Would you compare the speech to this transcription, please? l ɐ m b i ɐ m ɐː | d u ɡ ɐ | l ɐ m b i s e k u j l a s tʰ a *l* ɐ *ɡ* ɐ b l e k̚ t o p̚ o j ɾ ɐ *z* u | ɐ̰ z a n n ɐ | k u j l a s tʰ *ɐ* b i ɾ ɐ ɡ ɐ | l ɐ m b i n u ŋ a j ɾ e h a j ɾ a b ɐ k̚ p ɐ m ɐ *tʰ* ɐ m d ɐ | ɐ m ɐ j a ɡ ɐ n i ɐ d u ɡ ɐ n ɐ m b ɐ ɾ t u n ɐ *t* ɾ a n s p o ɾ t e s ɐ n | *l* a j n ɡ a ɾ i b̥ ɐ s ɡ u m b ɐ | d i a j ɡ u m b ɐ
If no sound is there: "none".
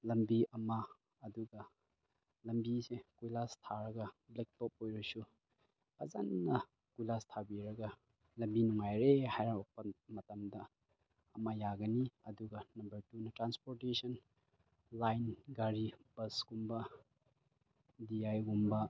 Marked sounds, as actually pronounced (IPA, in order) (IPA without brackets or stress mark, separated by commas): ɾ, ɡ, s, a, t, t, l